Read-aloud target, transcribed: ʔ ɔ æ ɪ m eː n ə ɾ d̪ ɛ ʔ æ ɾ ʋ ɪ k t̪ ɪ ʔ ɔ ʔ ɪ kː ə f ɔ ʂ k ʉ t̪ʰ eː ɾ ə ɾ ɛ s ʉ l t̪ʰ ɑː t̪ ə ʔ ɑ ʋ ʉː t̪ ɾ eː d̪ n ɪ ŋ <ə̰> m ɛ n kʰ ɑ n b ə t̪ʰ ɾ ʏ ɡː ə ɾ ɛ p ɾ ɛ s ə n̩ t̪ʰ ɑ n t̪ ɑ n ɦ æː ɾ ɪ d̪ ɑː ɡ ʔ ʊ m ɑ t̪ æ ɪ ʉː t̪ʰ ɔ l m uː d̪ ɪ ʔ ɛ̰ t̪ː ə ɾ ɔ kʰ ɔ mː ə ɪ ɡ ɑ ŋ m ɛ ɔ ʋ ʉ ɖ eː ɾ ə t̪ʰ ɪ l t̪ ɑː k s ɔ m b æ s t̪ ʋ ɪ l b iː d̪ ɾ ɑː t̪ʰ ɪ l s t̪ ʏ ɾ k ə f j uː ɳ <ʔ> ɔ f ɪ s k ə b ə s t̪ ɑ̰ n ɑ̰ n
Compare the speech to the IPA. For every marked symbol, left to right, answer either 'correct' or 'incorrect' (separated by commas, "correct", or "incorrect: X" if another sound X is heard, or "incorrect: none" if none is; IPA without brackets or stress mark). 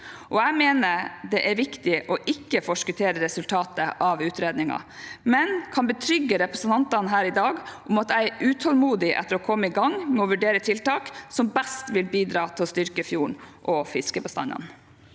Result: incorrect: ɑ̰, correct